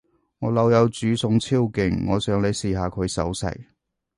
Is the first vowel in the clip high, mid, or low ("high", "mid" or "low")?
mid